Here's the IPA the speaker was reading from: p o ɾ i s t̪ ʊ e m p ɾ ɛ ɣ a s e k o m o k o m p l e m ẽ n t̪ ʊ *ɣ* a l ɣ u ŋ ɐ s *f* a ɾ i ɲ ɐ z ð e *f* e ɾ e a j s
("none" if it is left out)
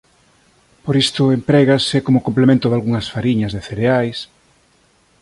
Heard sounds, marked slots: ð, f, θ

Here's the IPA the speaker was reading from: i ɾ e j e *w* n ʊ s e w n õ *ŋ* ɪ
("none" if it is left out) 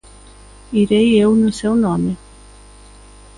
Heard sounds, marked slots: w, m

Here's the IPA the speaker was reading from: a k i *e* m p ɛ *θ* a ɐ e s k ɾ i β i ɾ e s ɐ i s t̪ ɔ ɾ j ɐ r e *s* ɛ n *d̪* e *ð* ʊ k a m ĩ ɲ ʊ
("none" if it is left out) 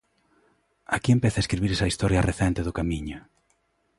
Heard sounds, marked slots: e, θ, θ, t̪, ð

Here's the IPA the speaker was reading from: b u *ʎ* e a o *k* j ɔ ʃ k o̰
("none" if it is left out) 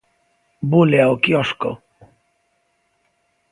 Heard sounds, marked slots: l, k

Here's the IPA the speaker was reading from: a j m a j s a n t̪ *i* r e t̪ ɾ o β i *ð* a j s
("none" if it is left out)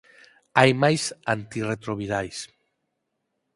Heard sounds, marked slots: i, ð

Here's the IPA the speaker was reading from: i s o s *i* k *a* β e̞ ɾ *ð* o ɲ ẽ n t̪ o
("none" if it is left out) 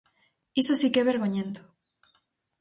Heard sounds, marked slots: i, e, ɣ

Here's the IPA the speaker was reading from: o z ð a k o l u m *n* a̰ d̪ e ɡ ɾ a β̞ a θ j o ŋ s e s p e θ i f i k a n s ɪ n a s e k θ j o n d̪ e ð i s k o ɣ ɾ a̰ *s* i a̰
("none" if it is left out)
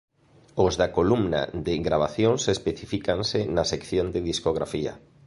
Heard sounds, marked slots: n, f

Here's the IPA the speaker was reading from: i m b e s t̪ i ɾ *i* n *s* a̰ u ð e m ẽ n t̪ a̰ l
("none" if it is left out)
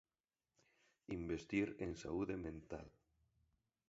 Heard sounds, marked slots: e, s

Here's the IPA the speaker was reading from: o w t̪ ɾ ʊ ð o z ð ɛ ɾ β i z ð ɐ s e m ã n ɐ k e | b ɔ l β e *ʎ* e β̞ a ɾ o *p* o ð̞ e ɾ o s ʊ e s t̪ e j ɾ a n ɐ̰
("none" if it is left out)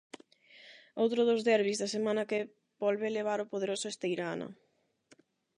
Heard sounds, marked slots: l, p

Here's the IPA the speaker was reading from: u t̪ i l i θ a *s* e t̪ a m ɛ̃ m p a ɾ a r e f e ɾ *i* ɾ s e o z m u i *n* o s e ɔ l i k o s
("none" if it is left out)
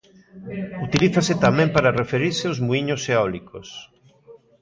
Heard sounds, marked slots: s, i, ɲ

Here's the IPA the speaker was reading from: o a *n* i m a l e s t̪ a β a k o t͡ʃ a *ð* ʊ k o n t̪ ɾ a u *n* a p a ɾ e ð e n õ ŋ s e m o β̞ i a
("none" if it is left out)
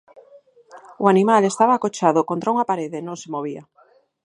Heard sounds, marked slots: n, ð, ŋ

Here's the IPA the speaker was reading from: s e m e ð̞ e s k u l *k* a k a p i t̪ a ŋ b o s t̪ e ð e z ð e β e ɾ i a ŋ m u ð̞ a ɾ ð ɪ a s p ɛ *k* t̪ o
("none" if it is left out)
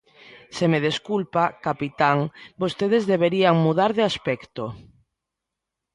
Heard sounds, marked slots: p, k

